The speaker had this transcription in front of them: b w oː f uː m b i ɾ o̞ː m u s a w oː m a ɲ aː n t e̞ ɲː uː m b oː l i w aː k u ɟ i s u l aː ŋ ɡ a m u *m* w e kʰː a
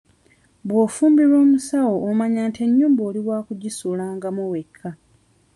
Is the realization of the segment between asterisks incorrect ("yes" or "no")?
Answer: yes